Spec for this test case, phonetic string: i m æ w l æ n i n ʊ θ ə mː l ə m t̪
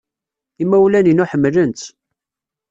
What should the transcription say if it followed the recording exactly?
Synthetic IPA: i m æ w l æ n i n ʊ ħ ə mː l ə n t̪